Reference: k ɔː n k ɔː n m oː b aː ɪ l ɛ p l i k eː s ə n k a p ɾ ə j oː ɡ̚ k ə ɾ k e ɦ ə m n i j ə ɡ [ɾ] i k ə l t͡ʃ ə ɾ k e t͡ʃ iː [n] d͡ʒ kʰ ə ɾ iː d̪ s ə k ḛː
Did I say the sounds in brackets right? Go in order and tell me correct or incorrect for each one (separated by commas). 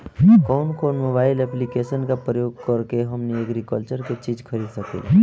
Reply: correct, incorrect